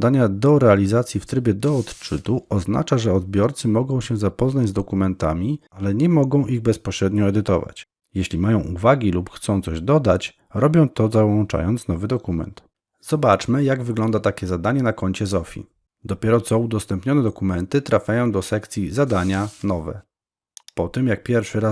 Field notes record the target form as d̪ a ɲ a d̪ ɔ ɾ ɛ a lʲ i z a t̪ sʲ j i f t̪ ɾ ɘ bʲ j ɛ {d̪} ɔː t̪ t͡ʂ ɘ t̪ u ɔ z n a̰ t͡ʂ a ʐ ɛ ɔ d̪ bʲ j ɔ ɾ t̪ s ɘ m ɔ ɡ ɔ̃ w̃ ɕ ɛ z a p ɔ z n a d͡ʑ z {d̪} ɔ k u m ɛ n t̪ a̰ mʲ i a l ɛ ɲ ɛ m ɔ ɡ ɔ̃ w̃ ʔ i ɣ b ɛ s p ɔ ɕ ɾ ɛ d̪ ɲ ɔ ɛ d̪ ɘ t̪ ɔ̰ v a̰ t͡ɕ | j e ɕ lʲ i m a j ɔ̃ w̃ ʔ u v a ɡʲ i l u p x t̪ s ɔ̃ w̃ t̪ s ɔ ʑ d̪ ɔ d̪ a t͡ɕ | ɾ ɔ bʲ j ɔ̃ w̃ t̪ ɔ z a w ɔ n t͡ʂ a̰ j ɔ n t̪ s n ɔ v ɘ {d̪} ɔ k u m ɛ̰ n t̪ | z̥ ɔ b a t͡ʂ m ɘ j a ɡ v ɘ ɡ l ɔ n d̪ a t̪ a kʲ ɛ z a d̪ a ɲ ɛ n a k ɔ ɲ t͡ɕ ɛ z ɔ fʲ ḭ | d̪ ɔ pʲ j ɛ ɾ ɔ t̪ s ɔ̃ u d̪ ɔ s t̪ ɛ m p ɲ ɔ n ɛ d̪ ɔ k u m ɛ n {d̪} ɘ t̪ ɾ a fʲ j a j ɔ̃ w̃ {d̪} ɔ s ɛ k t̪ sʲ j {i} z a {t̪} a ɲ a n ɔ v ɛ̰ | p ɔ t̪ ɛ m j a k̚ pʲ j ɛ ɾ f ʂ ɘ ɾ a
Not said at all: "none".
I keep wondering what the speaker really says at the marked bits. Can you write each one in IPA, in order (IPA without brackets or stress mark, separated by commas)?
d̪, d̪, d̪, t̪, d̪, i, d̪